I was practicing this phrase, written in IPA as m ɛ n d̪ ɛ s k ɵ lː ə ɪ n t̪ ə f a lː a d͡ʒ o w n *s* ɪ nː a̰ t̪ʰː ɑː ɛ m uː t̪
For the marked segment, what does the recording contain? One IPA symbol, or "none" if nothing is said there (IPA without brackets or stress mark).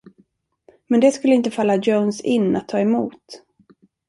s